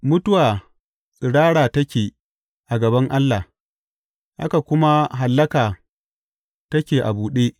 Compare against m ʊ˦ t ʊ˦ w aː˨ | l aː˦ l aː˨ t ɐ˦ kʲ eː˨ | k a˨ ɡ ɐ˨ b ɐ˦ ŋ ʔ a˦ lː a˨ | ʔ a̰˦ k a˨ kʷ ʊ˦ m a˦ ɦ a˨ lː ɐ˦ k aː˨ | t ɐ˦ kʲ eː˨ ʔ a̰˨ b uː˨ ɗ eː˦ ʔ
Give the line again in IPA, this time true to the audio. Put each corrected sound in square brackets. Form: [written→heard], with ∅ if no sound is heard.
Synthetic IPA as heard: m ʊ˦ t ʊ˦ w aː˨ | [l→ɽ] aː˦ [l→ɽ] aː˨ t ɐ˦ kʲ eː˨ | [k→ʔ] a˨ ɡ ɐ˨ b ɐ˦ ŋ ʔ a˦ lː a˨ | ʔ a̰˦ k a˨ kʷ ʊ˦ m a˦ ɦ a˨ lː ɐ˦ k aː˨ | t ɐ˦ kʲ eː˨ ʔ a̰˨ b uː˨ ɗ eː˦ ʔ